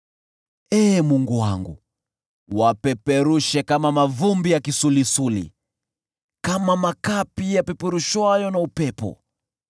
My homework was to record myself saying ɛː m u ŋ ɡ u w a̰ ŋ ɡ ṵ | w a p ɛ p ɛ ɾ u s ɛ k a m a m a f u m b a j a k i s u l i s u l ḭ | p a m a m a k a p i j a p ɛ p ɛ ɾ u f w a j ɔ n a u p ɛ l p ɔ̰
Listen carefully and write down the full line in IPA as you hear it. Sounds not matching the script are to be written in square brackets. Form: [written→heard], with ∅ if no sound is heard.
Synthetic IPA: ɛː m u ŋ ɡ u w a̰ ŋ ɡ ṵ | w a p ɛ p ɛ ɾ u [s→ʃ] ɛ k a m a m a [f→v] u m b [a→i] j a k i s u l i s u l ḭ | [p→k] a m a m a k a p i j a p ɛ p ɛ ɾ u [f→ʃ] w a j ɔ n a u p ɛ [l→∅] p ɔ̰